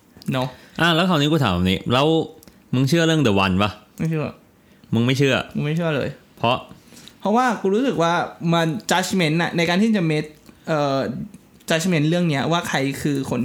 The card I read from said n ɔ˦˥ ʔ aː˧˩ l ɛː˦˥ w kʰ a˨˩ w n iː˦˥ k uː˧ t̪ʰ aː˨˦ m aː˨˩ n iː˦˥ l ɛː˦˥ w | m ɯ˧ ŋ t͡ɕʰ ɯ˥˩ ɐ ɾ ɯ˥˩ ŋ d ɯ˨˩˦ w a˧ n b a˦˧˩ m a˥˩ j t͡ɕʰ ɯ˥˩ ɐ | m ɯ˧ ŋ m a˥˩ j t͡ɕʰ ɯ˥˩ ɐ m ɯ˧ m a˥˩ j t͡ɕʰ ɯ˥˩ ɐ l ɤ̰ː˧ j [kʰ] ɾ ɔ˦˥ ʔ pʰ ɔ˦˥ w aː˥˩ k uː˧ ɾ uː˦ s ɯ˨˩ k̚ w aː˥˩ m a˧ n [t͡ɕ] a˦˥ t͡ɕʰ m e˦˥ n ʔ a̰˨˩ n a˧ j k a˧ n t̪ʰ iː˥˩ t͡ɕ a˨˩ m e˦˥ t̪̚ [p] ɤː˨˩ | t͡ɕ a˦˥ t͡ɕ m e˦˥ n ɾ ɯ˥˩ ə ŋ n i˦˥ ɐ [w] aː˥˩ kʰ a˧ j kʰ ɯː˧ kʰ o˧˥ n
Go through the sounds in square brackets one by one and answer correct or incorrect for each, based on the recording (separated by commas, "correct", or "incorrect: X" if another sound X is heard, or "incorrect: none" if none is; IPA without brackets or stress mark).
incorrect: pʰ, correct, incorrect: ʔ, correct